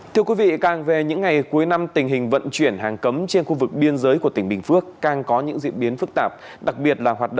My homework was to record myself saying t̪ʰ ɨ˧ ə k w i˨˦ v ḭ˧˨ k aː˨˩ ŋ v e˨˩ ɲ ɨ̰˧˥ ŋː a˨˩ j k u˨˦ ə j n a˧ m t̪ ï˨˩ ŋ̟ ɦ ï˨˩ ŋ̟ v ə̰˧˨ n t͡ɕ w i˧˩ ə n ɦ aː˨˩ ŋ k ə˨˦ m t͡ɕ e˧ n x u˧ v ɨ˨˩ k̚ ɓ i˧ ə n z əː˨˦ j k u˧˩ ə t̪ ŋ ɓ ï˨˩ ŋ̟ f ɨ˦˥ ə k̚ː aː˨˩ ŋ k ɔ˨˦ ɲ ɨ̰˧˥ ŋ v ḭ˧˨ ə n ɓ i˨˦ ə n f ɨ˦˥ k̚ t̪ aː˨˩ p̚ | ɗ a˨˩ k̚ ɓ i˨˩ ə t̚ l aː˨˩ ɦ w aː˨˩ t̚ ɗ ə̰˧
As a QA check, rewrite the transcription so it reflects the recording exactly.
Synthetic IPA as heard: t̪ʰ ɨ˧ ə k w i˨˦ v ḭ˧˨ k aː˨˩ ŋ v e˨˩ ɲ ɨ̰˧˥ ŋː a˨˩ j k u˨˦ ə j n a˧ m t̪ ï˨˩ ŋ̟ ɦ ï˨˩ ŋ̟ v ə̰˧˨ n t͡ɕ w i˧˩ ə n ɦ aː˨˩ ŋ k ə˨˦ m t͡ɕ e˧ n x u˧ v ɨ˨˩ k̚ ɓ i˧ ə n z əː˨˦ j k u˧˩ ə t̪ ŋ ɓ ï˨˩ ŋ̟ f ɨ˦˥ ə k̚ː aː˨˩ ŋ k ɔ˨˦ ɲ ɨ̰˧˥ ŋ z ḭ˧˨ ə n ɓ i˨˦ ə n f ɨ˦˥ k̚ t̪ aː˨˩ p̚ | ɗ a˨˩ k̚ ɓ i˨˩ ə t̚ l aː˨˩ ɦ w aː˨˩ t̚ ɗ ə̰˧